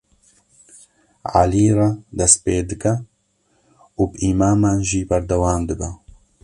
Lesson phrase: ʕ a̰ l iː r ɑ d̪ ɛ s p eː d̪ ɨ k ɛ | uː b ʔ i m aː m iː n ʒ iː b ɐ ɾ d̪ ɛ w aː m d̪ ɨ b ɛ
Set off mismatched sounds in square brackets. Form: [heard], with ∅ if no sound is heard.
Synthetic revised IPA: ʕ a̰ l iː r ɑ d̪ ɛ s p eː d̪ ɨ k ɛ | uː b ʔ i m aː m [aː] n ʒ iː b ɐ ɾ d̪ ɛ w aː m d̪ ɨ b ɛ